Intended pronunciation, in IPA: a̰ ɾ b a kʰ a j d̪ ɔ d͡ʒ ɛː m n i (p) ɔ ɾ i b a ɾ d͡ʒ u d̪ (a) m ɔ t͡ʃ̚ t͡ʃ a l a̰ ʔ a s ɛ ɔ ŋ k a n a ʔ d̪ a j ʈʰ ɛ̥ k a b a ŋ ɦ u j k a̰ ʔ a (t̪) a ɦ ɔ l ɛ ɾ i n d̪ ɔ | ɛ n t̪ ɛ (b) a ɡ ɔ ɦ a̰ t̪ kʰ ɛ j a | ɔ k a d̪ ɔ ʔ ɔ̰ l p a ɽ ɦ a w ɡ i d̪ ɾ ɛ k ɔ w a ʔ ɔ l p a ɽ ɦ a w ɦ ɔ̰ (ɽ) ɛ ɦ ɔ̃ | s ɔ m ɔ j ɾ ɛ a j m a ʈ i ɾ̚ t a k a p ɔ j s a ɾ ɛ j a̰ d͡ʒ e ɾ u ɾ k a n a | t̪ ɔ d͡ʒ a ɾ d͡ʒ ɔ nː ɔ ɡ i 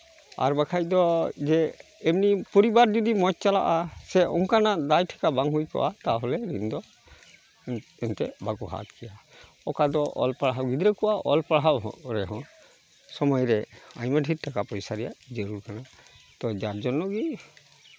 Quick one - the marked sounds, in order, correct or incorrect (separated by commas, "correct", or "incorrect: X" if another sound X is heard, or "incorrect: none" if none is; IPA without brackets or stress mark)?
correct, incorrect: i, correct, correct, incorrect: ɾ